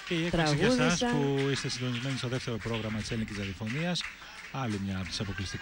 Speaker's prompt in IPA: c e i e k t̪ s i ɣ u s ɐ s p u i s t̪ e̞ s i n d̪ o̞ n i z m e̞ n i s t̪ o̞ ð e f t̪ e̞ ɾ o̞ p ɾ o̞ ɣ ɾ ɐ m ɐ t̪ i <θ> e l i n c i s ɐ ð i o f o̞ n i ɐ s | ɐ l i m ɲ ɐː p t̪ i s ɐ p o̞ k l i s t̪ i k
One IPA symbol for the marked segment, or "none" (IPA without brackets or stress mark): s